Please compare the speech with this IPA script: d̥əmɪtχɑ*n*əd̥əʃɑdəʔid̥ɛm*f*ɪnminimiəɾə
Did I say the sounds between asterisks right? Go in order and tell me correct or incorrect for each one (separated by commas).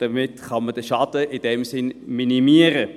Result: incorrect, incorrect